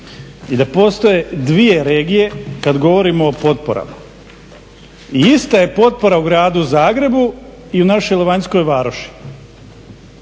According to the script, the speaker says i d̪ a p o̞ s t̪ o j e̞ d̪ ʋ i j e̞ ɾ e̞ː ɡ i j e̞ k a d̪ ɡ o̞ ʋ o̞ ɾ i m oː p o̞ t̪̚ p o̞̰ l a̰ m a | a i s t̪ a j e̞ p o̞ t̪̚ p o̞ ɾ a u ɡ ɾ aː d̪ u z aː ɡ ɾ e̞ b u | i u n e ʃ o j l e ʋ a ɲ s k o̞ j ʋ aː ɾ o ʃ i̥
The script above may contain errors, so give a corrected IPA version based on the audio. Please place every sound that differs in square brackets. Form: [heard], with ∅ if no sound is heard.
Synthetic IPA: i d̪ a p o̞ s t̪ o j e̞ d̪ ʋ i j e̞ ɾ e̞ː ɡ i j e̞ k a d̪ ɡ o̞ ʋ o̞ ɾ i m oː p o̞ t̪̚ p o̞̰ [ɾ] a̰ m a | [i] i s t̪ a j e̞ p o̞ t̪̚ p o̞ ɾ a u ɡ ɾ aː d̪ u z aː ɡ ɾ e̞ b u | i u n [a] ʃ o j l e ʋ a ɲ s k o̞ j ʋ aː ɾ o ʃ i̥